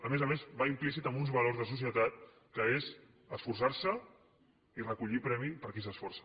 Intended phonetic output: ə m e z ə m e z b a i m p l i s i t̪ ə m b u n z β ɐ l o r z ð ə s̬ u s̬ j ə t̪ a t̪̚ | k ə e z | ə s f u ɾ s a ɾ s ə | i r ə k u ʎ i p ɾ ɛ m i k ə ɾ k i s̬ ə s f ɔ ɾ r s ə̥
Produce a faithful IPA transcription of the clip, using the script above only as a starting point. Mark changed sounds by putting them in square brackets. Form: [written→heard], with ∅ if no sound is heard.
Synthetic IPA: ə m e z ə m e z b a i m p l i s i t̪ ə m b u n z β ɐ l o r z ð ə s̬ u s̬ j ə t̪ a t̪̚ | k ə e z | ə s f u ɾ s a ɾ s ə | i r ə k u ʎ i p ɾ ɛ m i [k→p] ə ɾ k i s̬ ə s f ɔ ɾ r s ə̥